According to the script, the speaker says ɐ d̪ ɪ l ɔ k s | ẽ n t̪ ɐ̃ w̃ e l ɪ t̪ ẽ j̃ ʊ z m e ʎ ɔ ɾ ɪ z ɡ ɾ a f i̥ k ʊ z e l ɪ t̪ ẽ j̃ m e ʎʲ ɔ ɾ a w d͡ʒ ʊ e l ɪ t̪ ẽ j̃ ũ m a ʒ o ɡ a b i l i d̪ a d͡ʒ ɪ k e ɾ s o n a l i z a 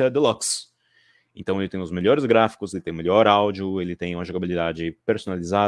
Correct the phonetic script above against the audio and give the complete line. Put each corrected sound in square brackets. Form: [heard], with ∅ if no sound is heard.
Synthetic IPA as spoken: ɐ d̪ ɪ l ɔ k s | ẽ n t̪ ɐ̃ w̃ e l ɪ t̪ ẽ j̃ ʊ z m e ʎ ɔ ɾ ɪ z ɡ ɾ a f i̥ k ʊ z e l ɪ t̪ ẽ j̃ m e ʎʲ ɔ ɾ a w d͡ʒ ʊ e l ɪ t̪ ẽ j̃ ũ m [ɐ] ʒ o ɡ a b i l i d̪ a d͡ʒ ɪ [p] e ɾ s o n a l i z a